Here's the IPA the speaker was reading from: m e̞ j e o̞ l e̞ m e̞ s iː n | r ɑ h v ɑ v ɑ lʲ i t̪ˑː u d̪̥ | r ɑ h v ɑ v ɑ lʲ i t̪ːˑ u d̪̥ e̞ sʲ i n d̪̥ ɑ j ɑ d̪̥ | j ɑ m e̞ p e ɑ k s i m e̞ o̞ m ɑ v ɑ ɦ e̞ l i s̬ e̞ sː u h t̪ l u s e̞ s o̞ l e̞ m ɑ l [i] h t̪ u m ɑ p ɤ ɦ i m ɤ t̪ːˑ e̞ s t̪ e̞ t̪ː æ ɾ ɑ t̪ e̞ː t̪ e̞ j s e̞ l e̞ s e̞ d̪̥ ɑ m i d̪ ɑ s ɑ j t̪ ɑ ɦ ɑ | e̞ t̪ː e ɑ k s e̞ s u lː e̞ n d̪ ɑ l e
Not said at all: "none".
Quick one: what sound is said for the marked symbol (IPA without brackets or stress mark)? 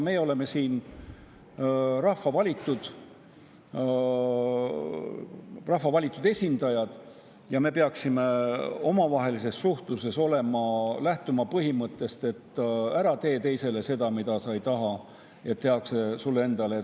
æ